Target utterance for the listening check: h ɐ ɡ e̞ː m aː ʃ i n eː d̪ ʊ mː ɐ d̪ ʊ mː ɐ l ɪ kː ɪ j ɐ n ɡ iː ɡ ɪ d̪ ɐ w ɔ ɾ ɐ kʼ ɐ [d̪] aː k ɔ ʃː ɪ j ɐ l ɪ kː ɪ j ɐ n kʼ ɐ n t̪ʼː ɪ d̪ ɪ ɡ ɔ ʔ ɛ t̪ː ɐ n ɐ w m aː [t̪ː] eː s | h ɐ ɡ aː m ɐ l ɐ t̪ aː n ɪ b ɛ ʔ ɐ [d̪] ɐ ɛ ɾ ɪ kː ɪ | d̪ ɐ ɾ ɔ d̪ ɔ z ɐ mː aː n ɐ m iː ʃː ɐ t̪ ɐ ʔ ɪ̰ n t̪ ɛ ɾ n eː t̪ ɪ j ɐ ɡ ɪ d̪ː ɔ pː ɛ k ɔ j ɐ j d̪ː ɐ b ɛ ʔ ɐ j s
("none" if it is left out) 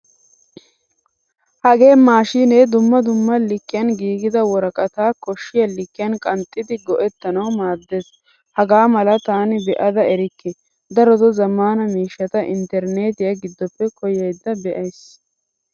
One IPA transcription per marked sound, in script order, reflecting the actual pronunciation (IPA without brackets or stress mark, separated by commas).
t̪, d̪ː, d̪